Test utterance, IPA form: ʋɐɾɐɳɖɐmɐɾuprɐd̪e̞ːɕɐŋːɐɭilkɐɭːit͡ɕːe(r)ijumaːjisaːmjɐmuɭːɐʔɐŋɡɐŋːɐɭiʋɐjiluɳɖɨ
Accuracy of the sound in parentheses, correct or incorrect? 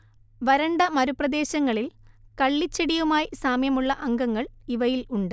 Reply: incorrect: ɽ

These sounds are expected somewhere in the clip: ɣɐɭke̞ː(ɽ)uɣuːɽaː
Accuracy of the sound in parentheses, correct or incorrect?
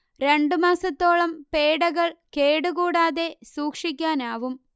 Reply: correct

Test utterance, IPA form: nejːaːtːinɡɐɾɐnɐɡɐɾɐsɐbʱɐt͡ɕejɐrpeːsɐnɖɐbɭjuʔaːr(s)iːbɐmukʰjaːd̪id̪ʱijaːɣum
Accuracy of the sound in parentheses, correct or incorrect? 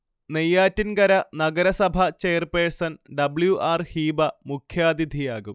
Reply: incorrect: h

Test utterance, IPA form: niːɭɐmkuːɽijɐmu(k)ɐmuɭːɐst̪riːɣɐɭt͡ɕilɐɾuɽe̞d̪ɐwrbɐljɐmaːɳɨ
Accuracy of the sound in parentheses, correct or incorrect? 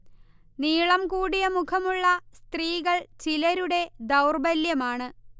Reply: incorrect: kʰ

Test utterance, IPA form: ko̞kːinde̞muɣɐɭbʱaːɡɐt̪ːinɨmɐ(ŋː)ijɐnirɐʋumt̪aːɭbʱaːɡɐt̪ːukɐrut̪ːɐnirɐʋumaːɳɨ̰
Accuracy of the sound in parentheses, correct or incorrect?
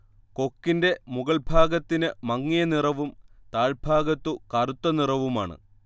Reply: correct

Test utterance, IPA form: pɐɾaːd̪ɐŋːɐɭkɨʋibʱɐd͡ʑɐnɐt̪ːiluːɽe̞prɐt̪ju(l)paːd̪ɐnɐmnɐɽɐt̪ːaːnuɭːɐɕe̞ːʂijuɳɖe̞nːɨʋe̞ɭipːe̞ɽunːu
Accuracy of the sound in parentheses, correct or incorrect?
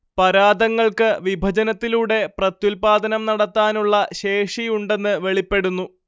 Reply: correct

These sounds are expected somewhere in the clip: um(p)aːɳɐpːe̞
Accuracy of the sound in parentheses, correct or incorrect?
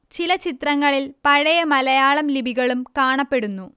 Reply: incorrect: k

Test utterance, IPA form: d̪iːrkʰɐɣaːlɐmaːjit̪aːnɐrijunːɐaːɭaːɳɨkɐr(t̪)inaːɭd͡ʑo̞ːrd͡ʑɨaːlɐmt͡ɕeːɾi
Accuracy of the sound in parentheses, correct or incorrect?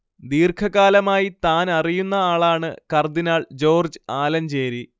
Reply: incorrect: d̪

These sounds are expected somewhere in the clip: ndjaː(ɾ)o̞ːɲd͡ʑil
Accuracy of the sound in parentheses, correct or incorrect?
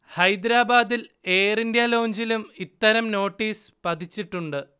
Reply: incorrect: l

